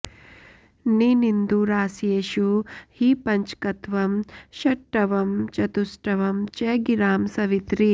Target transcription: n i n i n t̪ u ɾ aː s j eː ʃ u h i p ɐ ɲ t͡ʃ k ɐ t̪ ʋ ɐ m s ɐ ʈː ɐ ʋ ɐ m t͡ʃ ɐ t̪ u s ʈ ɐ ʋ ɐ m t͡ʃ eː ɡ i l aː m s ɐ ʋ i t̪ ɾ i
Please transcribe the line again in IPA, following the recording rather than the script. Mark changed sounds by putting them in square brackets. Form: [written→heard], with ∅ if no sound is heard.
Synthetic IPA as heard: n i n i n [t̪→d̪] u ɾ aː s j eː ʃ u h i p ɐ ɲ t͡ʃ k ɐ t̪ ʋ ɐ m [s→ʃ] ɐ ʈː ɐ ʋ ɐ m t͡ʃ ɐ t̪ u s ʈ ɐ ʋ ɐ m t͡ʃ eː ɡ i [l→ɾ] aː m s ɐ ʋ i t̪ ɾ i